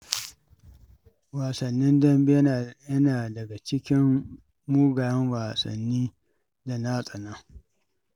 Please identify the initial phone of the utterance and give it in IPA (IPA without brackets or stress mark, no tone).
w